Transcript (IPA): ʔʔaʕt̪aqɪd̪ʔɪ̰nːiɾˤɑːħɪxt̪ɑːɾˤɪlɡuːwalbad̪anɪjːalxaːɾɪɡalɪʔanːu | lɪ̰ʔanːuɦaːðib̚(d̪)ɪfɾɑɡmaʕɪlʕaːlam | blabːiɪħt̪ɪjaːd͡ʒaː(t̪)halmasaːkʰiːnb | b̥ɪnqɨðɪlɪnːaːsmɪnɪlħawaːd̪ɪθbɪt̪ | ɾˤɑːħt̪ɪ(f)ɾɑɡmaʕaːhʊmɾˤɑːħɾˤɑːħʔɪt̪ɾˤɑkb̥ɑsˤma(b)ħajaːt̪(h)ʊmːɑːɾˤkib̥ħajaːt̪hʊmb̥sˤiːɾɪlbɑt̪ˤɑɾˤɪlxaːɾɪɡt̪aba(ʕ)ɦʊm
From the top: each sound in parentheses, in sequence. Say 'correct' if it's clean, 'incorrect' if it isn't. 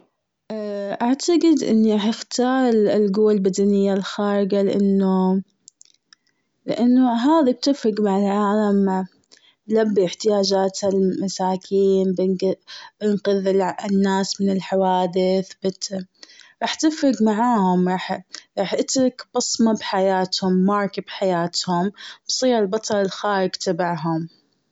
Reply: incorrect, correct, correct, correct, correct, correct

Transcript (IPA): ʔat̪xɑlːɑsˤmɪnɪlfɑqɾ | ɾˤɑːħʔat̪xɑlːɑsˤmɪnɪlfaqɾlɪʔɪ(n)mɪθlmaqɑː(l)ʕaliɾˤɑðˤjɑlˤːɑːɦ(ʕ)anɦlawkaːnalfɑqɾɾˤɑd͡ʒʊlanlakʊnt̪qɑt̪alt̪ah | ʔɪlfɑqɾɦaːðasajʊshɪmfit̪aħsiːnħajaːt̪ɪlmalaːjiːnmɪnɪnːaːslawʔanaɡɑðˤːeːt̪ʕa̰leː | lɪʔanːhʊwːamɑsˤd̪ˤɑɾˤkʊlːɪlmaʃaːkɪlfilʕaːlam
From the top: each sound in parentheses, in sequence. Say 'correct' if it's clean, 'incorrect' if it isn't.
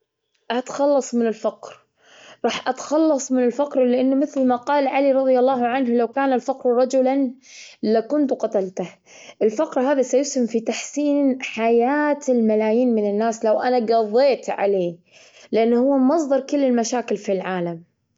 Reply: incorrect, correct, correct

